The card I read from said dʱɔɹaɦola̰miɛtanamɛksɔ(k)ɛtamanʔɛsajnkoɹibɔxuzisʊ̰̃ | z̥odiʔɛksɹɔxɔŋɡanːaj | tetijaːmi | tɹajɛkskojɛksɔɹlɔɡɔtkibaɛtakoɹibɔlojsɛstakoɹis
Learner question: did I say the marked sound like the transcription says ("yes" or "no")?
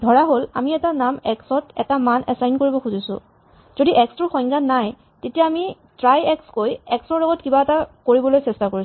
no